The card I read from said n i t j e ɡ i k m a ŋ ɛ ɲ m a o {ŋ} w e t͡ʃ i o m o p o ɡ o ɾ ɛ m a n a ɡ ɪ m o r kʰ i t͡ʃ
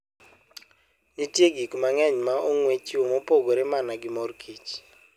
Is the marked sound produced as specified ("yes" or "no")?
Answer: yes